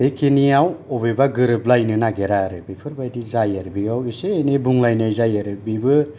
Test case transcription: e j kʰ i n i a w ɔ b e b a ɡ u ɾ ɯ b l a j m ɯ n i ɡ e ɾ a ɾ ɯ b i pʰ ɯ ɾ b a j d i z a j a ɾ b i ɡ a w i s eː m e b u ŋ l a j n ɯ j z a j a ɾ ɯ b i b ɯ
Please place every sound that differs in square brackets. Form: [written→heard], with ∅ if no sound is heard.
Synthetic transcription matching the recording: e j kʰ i n i a w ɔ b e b a ɡ [u→ɯ] ɾ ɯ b l a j [m→n] ɯ n [i→a] ɡ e ɾ a ɾ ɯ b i pʰ ɯ ɾ b a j d i z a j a ɾ b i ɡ a w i s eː [m→n] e b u ŋ l a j n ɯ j z a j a ɾ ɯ b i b ɯ